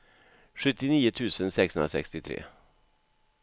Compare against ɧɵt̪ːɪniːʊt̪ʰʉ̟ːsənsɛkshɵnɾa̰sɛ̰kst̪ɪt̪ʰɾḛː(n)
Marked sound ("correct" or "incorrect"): incorrect